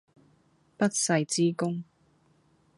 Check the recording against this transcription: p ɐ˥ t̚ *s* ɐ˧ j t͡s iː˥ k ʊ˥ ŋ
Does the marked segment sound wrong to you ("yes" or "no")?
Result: no